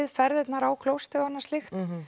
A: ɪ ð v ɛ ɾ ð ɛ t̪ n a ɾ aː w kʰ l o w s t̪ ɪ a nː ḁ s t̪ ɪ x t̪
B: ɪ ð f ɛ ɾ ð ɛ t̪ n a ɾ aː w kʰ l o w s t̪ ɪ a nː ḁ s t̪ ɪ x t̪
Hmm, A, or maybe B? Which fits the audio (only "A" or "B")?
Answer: B